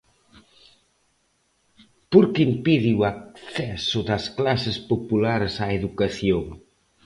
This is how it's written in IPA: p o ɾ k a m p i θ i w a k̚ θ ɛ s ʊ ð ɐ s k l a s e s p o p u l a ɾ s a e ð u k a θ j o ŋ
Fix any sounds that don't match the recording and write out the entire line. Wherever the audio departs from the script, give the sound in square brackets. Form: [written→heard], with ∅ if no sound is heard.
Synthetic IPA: p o ɾ k [a→i] m p i [θ→ð] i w a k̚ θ ɛ s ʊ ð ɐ s k l a s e s p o p u l a ɾ s a e ð u k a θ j o ŋ